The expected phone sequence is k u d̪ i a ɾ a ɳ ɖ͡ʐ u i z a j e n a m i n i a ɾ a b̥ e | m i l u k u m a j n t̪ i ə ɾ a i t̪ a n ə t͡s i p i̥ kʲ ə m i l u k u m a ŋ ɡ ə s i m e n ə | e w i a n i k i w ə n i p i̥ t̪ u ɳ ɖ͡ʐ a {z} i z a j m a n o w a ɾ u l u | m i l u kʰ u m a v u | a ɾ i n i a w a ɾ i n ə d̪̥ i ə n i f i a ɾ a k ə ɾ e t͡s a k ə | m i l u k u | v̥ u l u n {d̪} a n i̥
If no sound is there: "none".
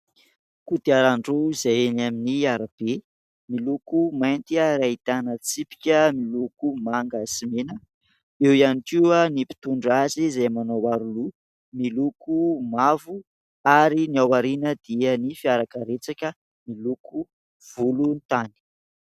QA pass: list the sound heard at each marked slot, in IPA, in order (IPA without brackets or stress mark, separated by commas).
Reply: z, t̪